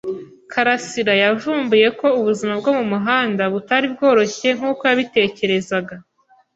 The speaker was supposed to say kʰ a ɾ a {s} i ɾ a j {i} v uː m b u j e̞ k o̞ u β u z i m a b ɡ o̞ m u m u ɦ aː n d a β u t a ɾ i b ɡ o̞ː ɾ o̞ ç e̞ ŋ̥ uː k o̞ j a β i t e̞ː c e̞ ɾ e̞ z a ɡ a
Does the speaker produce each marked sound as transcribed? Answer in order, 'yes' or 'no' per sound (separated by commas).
yes, no